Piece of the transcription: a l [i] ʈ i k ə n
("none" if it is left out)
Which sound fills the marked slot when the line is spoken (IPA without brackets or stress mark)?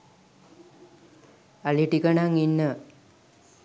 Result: i